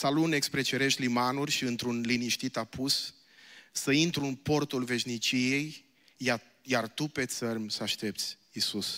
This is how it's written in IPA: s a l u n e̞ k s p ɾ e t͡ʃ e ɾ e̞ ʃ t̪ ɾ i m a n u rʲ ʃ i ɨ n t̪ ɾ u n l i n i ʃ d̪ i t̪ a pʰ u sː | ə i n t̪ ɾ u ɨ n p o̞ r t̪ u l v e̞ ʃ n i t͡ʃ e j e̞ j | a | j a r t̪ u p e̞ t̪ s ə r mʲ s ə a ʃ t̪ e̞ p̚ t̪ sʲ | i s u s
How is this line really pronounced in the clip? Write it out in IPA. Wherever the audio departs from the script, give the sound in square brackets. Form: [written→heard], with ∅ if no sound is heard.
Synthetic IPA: s a l u n e̞ k s p ɾ e t͡ʃ e ɾ e̞ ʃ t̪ [ɾ→l] i m a n u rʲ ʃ i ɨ n t̪ ɾ u n l i n i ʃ [d̪→t̪] i t̪ a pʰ u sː | ə i n t̪ ɾ u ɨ n p o̞ r t̪ u l v e̞ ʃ n i t͡ʃ [e→i] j e̞ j | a | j a r t̪ u p e̞ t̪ s ə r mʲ s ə a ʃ t̪ e̞ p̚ t̪ sʲ | i s u s